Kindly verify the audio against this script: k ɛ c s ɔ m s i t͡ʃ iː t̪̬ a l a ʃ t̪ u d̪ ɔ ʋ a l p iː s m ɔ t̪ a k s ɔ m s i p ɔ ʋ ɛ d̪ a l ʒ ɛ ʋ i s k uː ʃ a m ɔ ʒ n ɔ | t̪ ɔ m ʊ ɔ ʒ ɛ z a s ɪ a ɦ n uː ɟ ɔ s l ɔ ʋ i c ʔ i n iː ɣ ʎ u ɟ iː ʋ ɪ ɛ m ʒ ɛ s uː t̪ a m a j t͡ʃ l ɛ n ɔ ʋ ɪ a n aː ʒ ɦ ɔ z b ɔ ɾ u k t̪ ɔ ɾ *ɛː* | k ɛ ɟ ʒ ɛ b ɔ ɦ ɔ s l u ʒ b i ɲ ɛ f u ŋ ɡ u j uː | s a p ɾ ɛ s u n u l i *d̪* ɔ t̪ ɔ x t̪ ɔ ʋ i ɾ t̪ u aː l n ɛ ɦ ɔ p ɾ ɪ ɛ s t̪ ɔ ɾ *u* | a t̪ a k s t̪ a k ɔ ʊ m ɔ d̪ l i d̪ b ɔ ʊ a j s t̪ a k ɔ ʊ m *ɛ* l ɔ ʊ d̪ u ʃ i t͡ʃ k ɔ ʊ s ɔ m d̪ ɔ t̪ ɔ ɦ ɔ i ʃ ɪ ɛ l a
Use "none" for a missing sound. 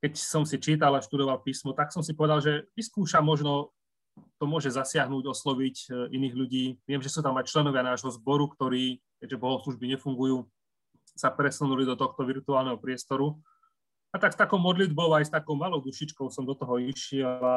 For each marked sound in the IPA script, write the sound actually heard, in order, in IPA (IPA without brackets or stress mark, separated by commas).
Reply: iː, d̪, u, a